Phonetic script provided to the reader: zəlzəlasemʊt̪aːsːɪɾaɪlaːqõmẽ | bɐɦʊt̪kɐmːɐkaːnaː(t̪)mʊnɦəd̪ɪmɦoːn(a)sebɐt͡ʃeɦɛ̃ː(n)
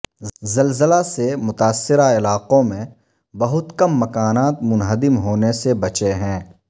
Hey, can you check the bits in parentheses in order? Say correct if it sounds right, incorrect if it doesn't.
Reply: correct, incorrect: e, incorrect: none

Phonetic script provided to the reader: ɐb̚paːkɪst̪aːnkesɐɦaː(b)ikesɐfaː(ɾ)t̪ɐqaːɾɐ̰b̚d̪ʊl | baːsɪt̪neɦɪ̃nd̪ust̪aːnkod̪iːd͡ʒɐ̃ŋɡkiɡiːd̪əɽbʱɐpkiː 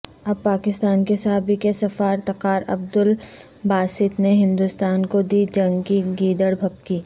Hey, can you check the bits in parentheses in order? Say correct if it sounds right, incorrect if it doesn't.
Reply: correct, correct

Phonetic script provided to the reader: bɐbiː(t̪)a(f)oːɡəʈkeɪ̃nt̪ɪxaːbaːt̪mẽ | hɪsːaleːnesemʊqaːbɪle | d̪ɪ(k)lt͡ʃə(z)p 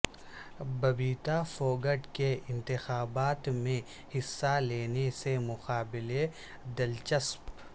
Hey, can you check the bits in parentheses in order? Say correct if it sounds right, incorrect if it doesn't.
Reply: correct, correct, incorrect: none, incorrect: s

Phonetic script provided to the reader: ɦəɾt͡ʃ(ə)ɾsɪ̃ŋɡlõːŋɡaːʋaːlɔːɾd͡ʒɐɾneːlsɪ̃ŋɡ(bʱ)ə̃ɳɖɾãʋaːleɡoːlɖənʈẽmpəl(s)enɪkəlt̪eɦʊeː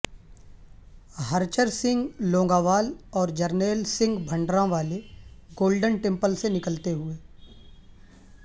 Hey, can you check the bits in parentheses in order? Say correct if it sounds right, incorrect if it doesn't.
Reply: correct, correct, correct

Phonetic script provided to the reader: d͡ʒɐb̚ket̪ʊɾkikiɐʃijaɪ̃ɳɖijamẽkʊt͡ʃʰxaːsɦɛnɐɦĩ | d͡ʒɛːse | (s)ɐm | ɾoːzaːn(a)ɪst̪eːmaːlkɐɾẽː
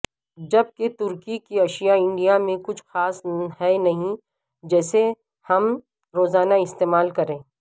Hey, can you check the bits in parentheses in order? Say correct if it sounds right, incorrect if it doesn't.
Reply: incorrect: h, correct

